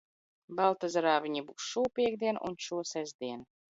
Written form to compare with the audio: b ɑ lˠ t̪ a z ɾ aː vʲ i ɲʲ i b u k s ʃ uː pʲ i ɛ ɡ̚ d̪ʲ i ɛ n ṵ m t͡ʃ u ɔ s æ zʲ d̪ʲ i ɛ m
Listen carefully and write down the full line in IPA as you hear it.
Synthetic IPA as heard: b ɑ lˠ t̪ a z ɾ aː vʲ i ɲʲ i b u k s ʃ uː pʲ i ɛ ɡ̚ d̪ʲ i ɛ n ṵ n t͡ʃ u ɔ s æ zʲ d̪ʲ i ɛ n